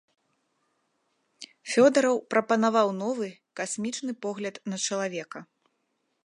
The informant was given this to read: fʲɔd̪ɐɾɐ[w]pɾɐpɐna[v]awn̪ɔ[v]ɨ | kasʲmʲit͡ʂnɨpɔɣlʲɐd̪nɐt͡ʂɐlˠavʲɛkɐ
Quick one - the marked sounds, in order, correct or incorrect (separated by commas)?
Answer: correct, correct, correct